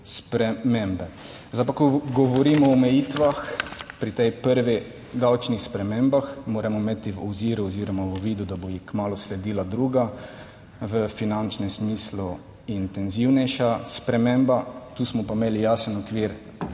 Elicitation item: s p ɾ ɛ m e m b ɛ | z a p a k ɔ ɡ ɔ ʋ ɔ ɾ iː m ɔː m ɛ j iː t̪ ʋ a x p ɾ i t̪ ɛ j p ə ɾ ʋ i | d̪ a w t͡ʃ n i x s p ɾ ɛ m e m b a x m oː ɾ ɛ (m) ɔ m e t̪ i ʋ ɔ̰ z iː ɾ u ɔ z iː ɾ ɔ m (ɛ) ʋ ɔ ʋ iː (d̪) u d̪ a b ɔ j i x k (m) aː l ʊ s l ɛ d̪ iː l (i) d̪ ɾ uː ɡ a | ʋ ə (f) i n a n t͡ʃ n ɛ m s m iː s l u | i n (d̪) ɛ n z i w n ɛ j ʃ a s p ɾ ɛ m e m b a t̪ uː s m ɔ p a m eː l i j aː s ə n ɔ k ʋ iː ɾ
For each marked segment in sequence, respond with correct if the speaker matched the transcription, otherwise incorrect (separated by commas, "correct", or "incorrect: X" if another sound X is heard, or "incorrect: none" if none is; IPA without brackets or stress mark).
correct, incorrect: a, correct, correct, incorrect: a, correct, incorrect: t̪